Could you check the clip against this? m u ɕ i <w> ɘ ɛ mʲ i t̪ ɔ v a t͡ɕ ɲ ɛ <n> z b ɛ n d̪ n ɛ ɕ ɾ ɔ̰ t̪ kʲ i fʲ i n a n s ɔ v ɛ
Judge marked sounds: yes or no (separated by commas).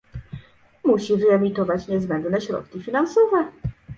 no, no